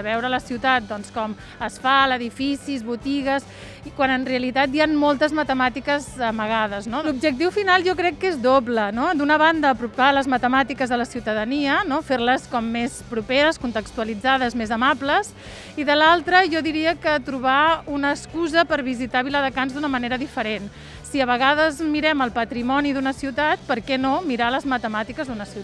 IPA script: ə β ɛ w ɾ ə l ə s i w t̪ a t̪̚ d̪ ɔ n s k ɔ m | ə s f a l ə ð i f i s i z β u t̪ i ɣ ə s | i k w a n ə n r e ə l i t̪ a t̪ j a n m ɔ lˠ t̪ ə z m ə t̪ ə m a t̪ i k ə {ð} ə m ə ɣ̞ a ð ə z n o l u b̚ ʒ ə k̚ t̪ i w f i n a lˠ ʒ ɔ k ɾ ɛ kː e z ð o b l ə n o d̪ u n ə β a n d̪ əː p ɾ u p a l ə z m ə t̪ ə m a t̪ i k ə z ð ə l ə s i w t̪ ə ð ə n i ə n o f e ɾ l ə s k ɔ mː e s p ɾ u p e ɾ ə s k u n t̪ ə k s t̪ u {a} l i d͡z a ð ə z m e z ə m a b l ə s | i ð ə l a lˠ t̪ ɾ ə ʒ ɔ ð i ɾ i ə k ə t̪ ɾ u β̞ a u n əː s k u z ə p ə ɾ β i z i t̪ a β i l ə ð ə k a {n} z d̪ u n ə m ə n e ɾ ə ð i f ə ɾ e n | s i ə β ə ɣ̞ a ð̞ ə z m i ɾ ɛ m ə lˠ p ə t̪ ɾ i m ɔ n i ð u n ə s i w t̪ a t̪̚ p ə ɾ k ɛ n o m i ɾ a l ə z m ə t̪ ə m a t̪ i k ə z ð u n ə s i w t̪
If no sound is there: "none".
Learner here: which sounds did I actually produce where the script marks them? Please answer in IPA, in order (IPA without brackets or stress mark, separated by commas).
z, ə, n